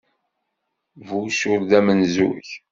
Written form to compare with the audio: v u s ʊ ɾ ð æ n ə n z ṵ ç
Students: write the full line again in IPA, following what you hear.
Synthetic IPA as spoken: v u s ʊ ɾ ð æ m ə n z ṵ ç

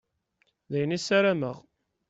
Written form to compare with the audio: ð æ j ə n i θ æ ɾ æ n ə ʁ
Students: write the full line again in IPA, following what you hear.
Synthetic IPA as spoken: ð æ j ə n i s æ ɾ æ m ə ʁ

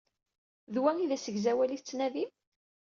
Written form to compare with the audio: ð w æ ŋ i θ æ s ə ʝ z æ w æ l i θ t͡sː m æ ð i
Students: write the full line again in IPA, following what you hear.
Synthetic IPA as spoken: ð w æ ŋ i ð æ s ə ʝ z æ w æ l i θ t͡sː n æ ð i

